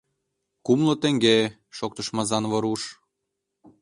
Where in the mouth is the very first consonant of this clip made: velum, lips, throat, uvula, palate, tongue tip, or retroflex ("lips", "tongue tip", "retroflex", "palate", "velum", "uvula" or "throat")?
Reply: velum